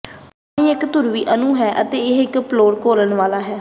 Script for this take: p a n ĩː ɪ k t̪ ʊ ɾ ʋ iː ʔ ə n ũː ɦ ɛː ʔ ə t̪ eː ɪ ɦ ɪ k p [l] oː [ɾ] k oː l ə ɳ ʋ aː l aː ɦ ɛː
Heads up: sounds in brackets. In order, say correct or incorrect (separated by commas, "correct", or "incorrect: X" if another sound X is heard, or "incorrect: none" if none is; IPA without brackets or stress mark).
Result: correct, correct